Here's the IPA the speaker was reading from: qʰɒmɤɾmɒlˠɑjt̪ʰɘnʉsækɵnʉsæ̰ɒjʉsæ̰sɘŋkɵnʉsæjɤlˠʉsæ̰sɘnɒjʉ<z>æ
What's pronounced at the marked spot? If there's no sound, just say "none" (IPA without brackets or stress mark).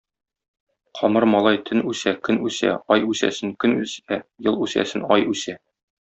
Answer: s